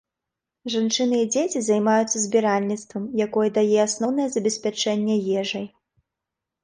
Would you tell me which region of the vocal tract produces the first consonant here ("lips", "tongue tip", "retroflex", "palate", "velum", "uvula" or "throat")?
retroflex